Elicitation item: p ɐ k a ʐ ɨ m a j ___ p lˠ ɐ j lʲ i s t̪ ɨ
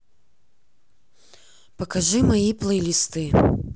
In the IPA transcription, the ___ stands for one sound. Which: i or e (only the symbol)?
i